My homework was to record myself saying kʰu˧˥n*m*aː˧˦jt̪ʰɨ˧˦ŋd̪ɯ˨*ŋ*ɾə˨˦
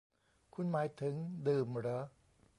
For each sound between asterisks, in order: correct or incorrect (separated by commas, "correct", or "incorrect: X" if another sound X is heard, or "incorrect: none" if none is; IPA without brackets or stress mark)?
correct, incorrect: m